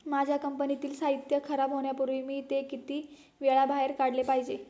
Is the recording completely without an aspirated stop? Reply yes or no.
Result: no